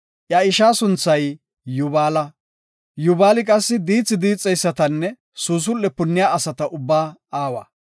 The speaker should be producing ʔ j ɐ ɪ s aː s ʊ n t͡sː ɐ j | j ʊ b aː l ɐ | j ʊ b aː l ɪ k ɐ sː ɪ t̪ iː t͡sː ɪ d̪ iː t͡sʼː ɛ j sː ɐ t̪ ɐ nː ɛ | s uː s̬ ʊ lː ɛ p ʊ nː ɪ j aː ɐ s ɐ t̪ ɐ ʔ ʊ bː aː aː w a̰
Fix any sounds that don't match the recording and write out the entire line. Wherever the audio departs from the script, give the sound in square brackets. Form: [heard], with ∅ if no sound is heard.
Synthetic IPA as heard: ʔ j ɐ ɪ [ʃ] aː s ʊ n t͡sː ɐ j | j ʊ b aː l ɐ | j ʊ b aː l ɪ [kʼ] ɐ sː ɪ [d̪] iː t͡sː ɪ d̪ iː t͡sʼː ɛ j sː ɐ t̪ ɐ nː ɛ | s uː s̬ ʊ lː ɛ p ʊ nː ɪ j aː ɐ s ɐ t̪ ɐ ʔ ʊ bː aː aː w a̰